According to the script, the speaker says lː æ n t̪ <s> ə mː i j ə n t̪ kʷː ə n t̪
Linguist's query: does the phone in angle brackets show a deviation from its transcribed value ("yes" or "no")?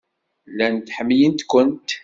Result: yes